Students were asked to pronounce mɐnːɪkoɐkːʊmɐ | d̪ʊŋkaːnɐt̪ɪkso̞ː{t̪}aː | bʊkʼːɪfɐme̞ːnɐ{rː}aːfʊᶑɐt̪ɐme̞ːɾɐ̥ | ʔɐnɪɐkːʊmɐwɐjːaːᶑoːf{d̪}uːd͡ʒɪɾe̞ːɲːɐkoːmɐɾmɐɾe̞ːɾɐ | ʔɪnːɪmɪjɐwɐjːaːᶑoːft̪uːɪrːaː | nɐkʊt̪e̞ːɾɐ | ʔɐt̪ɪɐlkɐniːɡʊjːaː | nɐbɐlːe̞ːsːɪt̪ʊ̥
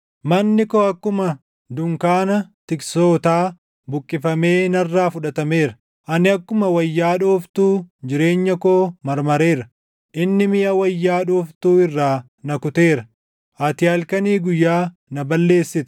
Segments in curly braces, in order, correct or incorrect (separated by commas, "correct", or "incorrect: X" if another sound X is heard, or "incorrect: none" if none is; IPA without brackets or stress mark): correct, correct, incorrect: t̪